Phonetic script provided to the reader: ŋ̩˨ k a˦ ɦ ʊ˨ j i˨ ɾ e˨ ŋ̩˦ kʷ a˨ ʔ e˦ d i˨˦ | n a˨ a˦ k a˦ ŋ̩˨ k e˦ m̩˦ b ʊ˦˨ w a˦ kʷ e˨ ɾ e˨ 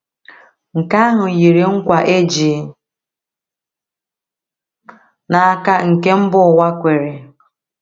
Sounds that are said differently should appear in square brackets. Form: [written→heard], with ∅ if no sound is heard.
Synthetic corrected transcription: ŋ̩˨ k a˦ ɦ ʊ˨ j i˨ ɾ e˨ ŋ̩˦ kʷ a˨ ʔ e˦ [d→d͡ʒ] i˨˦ | n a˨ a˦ k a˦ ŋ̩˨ k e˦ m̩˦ b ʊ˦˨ w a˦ kʷ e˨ ɾ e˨